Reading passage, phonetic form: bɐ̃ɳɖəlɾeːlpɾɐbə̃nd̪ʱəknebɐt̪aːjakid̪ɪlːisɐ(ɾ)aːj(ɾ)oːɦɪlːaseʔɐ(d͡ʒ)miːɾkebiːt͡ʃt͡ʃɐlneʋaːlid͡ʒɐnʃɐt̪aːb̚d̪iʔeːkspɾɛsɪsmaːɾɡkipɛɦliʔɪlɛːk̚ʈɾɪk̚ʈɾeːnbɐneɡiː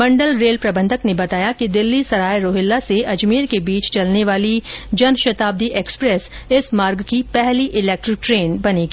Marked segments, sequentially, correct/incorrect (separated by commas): correct, correct, correct